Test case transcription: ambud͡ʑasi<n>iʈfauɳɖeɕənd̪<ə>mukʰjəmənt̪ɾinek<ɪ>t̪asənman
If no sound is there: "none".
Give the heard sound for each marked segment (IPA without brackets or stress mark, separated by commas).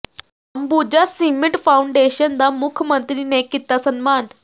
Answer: m, a, i